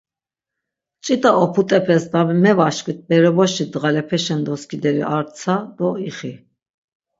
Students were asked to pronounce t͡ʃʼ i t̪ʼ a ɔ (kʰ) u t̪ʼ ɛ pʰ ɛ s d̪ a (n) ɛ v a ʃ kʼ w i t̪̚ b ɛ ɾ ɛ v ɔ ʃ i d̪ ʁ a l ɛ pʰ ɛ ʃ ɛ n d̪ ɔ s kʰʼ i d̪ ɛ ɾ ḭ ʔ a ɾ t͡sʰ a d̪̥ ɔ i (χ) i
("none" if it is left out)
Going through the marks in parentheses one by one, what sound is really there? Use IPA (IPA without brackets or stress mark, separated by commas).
pʰ, m, χ